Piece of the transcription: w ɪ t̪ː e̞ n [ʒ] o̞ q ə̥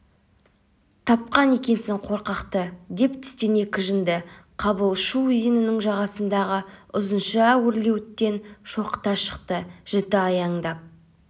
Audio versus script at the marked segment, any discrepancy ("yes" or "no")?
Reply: yes